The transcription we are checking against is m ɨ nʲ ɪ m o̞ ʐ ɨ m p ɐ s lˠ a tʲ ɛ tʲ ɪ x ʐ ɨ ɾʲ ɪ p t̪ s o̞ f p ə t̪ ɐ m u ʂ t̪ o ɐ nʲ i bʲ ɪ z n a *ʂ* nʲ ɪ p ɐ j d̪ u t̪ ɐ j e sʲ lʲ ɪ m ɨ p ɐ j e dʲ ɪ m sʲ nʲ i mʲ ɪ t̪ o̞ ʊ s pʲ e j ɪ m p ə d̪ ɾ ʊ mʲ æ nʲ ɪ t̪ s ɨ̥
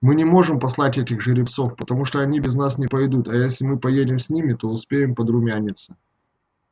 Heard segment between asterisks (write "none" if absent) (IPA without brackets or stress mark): s